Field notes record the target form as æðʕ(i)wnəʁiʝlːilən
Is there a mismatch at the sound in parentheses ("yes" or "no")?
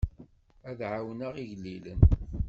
yes